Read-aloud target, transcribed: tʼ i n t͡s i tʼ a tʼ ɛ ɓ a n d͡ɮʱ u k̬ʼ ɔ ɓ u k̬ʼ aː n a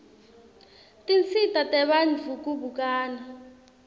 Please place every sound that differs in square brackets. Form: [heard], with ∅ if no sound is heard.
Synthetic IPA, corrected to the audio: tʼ i n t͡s i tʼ a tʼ ɛ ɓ a n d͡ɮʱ u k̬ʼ [u] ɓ u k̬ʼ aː n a

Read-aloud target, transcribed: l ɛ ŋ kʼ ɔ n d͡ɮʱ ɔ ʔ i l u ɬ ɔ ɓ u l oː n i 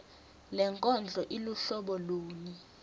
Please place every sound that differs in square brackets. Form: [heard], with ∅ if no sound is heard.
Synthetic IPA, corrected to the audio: l ɛ ŋ kʼ ɔ n d͡ɮʱ ɔ ʔ i l u ɬ ɔ ɓ [ɔ] l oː n i

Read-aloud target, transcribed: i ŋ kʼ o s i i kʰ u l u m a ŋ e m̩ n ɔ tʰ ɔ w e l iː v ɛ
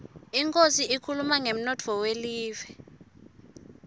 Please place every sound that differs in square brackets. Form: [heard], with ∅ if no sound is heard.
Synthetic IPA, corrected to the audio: i ŋ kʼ o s i i kʰ u l u m a ŋ e m̩ n ɔ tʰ ɔ w e l iː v ɛ

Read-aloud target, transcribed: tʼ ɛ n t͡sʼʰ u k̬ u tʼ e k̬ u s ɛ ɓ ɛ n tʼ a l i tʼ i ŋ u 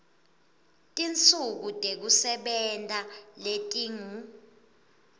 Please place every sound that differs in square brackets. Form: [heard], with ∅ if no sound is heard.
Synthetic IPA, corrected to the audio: tʼ [i] n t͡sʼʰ u k̬ u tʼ e k̬ u s ɛ ɓ ɛ n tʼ a l [e] tʼ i ŋ u

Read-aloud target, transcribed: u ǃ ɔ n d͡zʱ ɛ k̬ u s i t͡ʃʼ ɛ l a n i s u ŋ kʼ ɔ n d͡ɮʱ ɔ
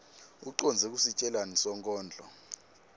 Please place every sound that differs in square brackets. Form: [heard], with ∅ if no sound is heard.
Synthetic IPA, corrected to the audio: u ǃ ɔ n d͡zʱ ɛ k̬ u s i t͡ʃʼ ɛ l a n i s [ɔ] ŋ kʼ [ɔː] n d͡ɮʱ ɔ

